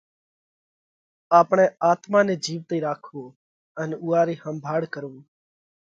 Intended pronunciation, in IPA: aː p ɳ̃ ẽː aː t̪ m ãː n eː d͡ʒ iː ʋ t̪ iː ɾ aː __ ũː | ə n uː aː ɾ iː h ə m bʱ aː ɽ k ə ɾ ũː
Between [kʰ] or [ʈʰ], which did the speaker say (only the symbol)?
kʰ